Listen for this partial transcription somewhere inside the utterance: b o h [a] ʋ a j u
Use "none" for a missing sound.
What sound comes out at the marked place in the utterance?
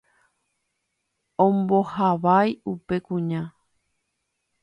a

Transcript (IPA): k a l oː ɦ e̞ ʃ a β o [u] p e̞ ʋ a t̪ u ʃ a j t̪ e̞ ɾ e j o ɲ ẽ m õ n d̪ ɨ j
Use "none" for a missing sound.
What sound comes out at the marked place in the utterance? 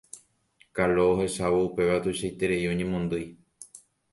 u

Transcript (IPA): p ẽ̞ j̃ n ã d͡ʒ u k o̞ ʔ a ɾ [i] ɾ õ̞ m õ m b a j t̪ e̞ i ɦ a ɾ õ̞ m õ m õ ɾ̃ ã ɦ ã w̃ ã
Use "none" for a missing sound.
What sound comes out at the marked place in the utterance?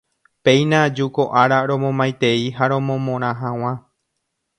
a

